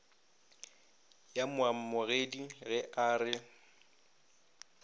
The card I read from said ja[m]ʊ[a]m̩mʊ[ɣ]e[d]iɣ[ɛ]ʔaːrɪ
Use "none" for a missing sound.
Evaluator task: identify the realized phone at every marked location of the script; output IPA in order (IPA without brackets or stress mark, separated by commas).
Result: m, a, ɣ, d, ɛ